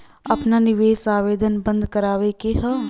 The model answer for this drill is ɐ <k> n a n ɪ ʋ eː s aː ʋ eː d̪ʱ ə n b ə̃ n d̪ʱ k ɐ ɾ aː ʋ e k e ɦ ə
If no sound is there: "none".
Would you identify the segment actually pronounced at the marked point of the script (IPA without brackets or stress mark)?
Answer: p